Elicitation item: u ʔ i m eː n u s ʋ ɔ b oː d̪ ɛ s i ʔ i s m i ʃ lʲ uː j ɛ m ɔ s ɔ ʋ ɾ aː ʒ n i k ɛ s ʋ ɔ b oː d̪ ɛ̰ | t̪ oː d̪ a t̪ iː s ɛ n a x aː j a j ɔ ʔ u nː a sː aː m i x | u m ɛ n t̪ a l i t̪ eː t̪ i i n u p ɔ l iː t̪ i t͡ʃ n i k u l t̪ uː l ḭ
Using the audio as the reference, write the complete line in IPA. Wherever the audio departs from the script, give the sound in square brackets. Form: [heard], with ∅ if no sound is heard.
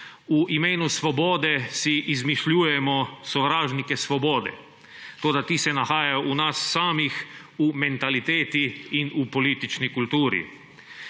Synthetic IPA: u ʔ i m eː n u s ʋ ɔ b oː d̪ ɛ s i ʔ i [z] m i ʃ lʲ uː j ɛ m ɔ s ɔ ʋ ɾ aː ʒ n i k ɛ s ʋ ɔ b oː d̪ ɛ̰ | t̪ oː d̪ a t̪ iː s ɛ n a x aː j a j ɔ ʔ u [n] a sː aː m i x | u m ɛ n t̪ a l i t̪ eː t̪ i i n u p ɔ l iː t̪ i t͡ʃ n i k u l t̪ uː [ɾ] ḭ